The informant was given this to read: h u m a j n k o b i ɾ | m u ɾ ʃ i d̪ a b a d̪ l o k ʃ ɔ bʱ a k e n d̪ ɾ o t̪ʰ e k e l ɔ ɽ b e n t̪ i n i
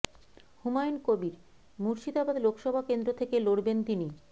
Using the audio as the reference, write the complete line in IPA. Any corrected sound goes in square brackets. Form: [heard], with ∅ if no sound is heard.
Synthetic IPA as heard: h u m a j n k o b i ɾ | m u ɾ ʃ i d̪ a b a d̪ l o k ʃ ɔ bʱ a k e n d̪ ɾ o t̪ʰ e k e l [o] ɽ b e n t̪ i n i